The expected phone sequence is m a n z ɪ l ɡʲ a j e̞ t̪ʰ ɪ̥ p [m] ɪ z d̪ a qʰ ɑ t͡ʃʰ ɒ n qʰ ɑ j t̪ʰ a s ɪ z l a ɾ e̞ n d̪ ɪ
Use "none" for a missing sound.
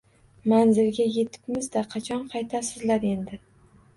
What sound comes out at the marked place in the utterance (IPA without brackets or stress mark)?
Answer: m